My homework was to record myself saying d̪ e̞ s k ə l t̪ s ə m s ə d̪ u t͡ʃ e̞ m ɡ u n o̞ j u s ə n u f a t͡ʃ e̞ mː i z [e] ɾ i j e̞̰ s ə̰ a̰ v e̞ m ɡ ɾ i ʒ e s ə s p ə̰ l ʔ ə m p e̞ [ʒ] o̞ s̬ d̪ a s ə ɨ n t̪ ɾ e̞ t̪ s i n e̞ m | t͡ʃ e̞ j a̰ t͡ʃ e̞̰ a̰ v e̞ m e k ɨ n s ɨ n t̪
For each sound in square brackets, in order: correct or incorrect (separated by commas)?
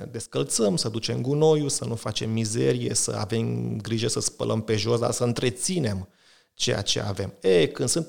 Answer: correct, correct